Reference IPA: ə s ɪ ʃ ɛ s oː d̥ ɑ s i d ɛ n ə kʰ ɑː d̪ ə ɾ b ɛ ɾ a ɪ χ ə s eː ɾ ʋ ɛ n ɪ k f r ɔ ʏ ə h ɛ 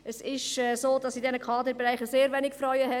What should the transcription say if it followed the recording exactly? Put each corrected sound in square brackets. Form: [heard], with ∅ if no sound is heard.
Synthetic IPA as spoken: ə s ɪ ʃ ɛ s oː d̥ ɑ s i d ɛ n ə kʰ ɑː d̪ ə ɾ b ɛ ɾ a ɪ χ ə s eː ɾ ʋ ɛ n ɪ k f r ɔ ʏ ə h ɛ